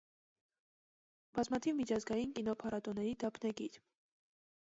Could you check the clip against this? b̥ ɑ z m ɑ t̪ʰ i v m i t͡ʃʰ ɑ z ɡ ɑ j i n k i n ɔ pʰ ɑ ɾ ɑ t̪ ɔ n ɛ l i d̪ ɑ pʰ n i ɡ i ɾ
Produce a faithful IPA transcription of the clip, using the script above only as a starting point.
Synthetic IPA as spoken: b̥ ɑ z m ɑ t̪ʰ i v m i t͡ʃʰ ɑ z ɡ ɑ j i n k i n ɔ pʰ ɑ ɾ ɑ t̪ ɔ n ɛ ɾ i d̪ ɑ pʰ n ɛ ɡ i ɾ